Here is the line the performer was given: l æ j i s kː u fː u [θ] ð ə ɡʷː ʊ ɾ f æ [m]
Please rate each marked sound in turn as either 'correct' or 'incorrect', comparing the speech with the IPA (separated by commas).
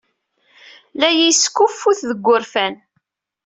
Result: correct, incorrect